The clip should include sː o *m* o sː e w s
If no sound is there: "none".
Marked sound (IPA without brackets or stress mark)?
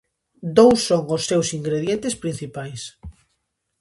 ŋ